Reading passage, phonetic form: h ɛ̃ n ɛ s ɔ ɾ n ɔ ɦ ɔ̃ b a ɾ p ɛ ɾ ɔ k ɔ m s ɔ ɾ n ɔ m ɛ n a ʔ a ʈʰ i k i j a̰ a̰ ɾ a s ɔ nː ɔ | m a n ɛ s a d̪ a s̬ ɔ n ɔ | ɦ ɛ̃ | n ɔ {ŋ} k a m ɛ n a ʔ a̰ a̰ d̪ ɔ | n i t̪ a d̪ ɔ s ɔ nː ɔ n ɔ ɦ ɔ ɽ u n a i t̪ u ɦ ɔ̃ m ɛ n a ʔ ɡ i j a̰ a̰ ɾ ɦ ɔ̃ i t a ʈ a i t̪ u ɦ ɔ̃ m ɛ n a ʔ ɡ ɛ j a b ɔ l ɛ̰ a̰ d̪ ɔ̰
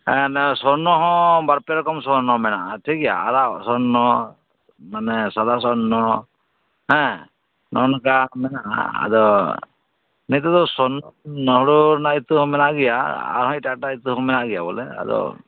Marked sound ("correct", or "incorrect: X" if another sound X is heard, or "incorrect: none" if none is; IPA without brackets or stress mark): incorrect: n